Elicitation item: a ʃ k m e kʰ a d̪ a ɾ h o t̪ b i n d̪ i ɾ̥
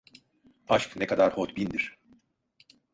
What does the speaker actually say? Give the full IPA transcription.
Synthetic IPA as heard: a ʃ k n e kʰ a d̪ a ɾ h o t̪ b i n d̪ i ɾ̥